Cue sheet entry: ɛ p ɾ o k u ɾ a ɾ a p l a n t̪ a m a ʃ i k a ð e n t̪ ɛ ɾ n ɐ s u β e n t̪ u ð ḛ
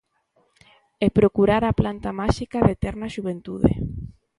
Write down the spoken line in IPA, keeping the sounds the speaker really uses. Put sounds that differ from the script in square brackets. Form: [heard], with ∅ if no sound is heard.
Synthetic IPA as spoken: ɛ p ɾ o k u ɾ a ɾ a p l a n t̪ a m a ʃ i k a ð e [∅] t̪ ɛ ɾ n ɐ [ʃ] u β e n t̪ u ð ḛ